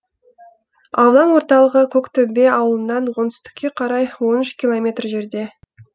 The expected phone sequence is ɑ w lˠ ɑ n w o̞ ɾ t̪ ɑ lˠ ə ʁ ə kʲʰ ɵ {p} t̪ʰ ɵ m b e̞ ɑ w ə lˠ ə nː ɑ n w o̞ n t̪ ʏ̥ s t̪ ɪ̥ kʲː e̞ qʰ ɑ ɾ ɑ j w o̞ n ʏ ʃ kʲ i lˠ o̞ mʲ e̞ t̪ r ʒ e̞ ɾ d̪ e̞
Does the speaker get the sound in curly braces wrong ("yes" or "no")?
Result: yes